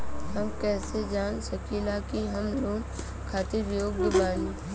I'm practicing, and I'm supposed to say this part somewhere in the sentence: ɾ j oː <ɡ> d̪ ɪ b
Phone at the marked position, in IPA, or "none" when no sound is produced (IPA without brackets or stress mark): ɡ